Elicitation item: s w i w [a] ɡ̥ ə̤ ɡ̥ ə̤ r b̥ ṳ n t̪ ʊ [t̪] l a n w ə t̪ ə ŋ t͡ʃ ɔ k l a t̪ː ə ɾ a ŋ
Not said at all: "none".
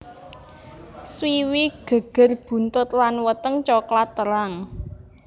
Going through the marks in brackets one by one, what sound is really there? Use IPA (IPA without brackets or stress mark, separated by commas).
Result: i, t̪